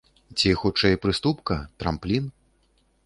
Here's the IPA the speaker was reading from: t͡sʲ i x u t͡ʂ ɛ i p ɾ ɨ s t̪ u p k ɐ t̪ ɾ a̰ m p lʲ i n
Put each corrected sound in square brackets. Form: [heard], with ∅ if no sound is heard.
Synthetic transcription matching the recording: t͡sʲ i x u t͡ʂ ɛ [j] p ɾ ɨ s t̪ u p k ɐ t̪ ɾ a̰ m p lʲ i n